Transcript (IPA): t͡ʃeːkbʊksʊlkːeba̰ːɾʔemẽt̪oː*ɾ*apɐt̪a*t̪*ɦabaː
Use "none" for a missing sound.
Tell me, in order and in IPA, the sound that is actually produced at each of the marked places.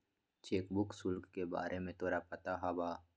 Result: ɾ, none

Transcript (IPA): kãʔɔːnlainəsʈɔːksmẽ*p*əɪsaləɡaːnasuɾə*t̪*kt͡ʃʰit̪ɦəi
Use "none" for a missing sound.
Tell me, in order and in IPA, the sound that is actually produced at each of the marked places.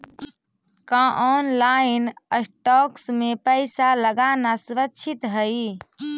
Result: p, none

